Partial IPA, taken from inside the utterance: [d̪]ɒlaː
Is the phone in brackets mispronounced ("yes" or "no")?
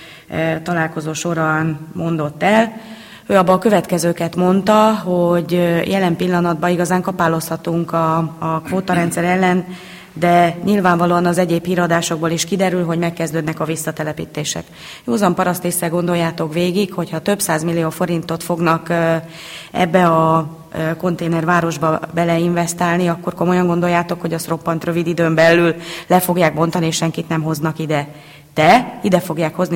yes